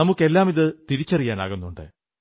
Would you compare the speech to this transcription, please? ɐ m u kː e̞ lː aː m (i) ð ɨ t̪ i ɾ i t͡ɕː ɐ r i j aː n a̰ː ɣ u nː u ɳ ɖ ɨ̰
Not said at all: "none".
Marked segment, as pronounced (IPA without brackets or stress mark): i